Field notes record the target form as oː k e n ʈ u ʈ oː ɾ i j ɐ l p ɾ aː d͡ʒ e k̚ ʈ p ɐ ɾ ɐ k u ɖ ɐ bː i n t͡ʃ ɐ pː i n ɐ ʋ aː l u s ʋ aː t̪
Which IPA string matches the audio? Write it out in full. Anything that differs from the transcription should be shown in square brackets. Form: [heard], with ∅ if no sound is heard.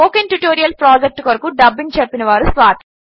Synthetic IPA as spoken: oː k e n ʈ u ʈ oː ɾ i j ɐ l p ɾ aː d͡ʒ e k̚ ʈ [k] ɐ ɾ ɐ k u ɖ ɐ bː i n t͡ʃ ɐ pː i n ɐ ʋ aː [ɾ] u s ʋ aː t̪